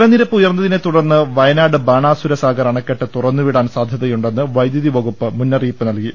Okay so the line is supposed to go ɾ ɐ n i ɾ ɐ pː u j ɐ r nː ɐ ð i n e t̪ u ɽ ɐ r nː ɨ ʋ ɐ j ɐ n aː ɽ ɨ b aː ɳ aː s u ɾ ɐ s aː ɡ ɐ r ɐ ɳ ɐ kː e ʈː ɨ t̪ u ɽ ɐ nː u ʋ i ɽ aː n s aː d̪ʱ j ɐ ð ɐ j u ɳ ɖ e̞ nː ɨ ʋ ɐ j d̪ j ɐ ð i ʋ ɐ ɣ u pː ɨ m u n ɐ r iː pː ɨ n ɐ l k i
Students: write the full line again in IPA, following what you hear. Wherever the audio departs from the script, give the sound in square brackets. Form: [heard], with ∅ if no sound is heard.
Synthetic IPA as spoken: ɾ ɐ n i ɾ ɐ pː u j ɐ r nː ɐ ð i n e t̪ u ɽ ɐ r nː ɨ ʋ ɐ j ɐ n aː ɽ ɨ b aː ɳ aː s u ɾ ɐ s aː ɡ ɐ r ɐ ɳ ɐ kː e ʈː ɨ t̪ u [r] ɐ nː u ʋ i ɽ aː n s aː d̪ʱ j ɐ ð ɐ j u ɳ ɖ e̞ nː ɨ ʋ ɐ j d̪ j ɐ ð i ʋ ɐ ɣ u pː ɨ m u [nː] ɐ r iː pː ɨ n ɐ l k i